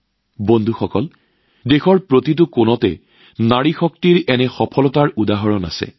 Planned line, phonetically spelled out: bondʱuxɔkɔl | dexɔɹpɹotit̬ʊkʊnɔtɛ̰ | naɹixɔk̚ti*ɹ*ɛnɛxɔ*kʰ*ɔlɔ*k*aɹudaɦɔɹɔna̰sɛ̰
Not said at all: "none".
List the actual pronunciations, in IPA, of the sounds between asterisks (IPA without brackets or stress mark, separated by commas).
ɹ, pʰ, t